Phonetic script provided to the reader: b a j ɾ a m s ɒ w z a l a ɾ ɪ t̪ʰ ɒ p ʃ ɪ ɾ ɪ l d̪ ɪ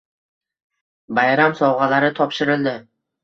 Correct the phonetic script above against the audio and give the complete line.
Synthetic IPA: b a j ɾ a m s ɒ w ʁ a l a ɾ ɪ t̪ʰ ɒ p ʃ ɪ ɾ ɪ l d̪ ɪ